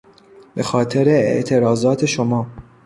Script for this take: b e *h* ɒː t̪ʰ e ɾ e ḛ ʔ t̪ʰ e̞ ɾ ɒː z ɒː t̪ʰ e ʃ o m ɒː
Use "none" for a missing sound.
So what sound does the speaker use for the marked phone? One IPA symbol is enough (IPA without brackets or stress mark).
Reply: x